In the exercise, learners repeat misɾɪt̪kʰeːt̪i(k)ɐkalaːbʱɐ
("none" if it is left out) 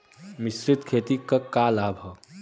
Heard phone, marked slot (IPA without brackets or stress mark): k